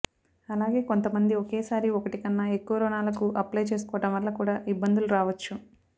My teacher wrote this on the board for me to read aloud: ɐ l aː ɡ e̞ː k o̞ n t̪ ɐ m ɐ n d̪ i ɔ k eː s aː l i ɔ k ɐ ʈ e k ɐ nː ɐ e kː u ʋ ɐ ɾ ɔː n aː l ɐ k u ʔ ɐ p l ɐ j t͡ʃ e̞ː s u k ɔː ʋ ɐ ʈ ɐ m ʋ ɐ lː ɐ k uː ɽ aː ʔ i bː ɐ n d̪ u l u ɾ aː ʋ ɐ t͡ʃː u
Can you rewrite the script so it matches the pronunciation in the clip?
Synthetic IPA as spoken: ɐ l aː ɡ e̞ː k o̞ n t̪ ɐ m ɐ n d̪ i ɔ k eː s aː ɾ i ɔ k ɐ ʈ i k ɐ nː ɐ e kː u ʋ ɐ ɾ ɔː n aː l ɐ k u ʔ ɐ p l ɐ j t͡ʃ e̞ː s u k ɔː ʋ ɐ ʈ ɐ m ʋ ɐ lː ɐ k uː ɽ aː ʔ i bː ɐ n d̪ u l u ɾ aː ʋ ɐ t͡ʃː u